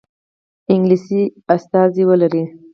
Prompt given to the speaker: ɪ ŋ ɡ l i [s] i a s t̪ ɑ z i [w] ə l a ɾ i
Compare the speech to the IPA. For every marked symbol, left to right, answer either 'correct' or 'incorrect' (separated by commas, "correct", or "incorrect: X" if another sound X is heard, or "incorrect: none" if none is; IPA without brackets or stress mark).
correct, correct